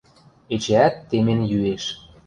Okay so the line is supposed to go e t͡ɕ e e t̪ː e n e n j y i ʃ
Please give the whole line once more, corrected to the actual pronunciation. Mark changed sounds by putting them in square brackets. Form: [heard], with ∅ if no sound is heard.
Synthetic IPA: e t͡ɕ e [æ] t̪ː e [m] e n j y [e] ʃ

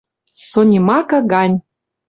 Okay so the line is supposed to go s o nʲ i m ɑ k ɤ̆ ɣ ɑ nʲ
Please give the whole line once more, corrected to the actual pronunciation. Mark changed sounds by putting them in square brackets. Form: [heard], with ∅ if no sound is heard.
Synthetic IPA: s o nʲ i m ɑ k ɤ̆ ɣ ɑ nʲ

